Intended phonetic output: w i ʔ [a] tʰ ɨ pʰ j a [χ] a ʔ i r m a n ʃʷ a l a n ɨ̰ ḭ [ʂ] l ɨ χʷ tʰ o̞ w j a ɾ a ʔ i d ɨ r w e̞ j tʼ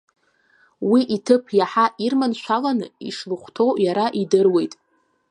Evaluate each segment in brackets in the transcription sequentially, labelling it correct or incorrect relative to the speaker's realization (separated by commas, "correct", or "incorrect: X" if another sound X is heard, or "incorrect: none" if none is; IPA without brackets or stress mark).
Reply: incorrect: i, incorrect: ħ, correct